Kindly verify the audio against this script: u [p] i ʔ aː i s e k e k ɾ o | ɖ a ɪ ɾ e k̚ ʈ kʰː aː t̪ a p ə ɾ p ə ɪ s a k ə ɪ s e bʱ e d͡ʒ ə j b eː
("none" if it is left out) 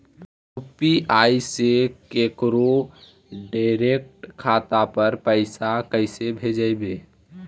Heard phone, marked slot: p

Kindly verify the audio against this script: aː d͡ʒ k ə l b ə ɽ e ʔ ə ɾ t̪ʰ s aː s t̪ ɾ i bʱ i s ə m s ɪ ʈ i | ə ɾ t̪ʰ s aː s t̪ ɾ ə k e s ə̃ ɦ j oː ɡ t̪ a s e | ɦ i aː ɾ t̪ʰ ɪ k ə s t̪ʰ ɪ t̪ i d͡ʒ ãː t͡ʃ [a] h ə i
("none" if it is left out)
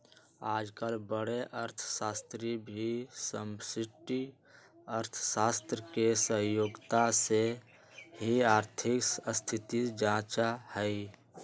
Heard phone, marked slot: a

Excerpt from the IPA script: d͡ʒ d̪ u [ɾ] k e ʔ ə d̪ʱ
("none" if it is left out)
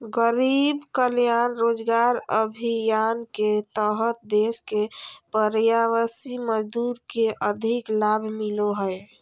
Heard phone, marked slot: ɾ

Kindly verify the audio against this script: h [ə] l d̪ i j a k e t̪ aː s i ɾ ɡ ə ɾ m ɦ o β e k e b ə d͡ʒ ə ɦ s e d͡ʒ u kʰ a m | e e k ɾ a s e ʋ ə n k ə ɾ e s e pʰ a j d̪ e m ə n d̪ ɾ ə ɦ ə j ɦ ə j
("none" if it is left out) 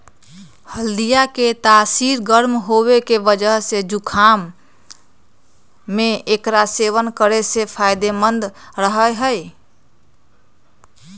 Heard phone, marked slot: ə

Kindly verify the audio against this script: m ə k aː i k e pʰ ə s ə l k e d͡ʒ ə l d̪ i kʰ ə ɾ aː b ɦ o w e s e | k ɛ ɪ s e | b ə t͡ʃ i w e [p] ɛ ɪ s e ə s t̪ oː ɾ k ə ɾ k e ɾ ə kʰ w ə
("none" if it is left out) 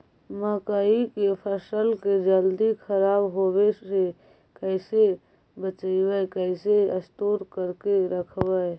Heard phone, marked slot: k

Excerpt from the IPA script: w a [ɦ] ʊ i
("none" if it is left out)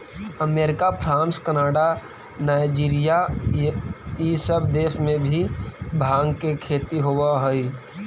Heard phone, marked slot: ɦ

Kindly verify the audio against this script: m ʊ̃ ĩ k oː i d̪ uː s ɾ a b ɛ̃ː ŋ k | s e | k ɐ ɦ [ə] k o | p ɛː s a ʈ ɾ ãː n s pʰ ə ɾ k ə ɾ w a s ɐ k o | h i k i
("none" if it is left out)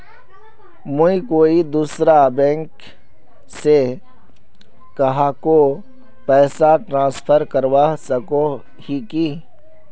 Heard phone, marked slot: a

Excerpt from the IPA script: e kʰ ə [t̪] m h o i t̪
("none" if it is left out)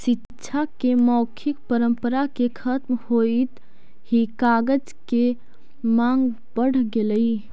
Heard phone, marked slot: t̪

